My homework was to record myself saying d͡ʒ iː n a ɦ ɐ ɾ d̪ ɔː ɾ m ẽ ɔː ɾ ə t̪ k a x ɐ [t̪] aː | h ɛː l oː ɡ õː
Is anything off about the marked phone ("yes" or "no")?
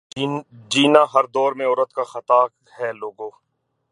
no